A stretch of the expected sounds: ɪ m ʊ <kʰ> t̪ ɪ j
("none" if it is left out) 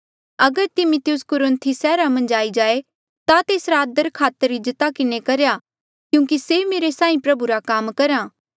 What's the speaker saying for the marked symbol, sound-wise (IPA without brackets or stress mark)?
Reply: none